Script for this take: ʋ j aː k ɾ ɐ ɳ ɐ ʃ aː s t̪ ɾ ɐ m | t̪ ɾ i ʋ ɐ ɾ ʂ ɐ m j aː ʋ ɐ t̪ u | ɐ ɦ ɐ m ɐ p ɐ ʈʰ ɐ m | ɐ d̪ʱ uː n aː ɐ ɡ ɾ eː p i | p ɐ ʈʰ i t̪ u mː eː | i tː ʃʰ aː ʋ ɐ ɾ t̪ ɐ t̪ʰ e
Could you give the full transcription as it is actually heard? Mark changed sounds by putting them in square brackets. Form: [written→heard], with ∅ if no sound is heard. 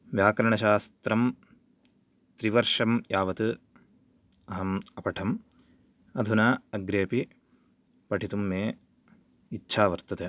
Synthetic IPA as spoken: ʋ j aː k ɾ ɐ ɳ ɐ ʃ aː s t̪ ɾ ɐ m | t̪ ɾ i ʋ ɐ ɾ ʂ ɐ m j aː ʋ ɐ t̪ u | ɐ ɦ ɐ m ɐ p ɐ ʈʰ ɐ m | ɐ d̪ʱ [uː→u] n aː ɐ ɡ ɾ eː p i | p ɐ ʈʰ i t̪ u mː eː | i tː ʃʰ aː ʋ ɐ ɾ t̪ ɐ [t̪ʰ→t̪] e